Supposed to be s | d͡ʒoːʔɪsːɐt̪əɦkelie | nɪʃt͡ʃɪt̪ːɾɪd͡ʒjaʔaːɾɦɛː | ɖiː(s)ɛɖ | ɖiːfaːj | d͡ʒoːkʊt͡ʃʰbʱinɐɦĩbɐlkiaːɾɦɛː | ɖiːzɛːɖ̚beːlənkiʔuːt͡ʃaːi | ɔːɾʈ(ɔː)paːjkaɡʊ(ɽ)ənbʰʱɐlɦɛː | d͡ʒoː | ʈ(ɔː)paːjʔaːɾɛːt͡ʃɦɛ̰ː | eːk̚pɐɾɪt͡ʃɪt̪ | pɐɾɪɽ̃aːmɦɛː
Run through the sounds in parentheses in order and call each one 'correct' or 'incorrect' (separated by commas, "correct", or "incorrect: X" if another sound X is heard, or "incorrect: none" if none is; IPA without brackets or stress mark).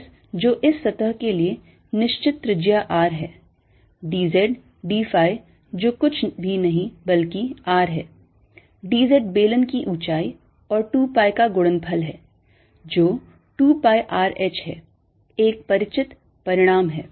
incorrect: z, incorrect: uː, correct, incorrect: uː